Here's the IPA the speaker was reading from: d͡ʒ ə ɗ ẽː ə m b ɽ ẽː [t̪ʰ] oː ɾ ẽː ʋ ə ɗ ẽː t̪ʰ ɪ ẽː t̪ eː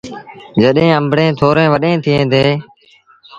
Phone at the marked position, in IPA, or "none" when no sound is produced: t̪ʰ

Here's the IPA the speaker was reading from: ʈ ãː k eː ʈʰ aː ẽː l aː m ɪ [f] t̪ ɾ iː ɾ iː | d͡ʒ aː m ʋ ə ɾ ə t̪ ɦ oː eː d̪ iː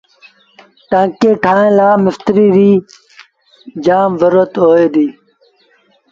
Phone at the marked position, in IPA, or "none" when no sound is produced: f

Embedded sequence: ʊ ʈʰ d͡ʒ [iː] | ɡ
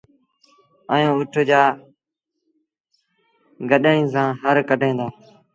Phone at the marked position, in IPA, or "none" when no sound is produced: aː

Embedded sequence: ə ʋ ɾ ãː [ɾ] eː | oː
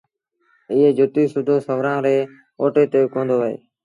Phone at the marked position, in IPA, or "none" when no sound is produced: ɾ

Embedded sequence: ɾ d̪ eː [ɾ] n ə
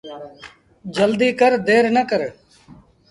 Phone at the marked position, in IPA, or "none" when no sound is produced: ɾ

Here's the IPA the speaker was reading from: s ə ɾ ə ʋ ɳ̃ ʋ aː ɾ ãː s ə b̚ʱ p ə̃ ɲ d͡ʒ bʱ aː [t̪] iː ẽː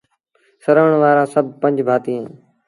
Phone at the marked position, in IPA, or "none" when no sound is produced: t̪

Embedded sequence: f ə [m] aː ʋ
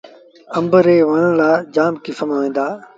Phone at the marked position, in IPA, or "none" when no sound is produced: m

